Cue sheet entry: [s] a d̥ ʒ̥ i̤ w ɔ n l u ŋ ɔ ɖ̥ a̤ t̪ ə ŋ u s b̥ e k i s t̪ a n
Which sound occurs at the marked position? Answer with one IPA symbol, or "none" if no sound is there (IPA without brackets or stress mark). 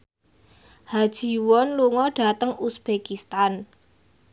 h